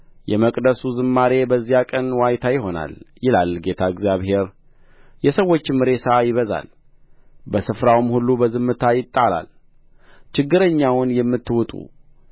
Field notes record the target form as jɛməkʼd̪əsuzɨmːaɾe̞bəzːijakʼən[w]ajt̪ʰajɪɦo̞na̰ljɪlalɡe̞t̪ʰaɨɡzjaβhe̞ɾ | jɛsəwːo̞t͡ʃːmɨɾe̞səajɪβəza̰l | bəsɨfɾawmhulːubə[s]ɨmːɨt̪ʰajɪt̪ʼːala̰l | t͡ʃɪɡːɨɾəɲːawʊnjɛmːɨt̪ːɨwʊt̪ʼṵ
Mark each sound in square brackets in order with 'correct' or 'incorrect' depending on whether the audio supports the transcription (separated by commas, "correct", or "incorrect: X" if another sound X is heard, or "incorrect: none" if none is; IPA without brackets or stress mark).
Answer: correct, incorrect: z